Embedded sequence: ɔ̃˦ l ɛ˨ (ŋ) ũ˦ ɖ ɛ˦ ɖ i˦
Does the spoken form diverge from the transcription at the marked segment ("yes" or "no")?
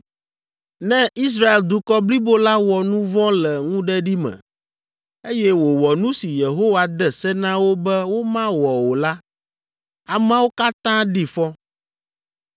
no